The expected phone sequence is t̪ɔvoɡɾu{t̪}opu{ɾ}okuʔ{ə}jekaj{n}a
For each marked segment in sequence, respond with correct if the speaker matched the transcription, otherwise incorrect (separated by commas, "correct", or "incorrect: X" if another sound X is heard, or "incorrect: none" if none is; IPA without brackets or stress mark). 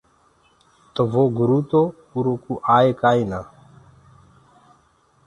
correct, correct, incorrect: a, correct